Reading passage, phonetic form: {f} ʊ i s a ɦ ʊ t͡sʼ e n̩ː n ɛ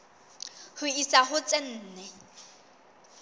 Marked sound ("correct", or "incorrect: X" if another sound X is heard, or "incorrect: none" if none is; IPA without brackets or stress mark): incorrect: h